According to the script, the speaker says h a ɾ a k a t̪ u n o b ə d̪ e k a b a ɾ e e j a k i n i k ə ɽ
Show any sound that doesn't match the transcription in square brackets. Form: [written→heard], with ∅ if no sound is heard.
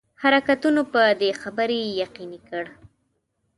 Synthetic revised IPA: h a ɾ a k a t̪ u n o [b→p] ə d̪ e [k→x] a b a ɾ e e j a [k→q] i n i k ə ɽ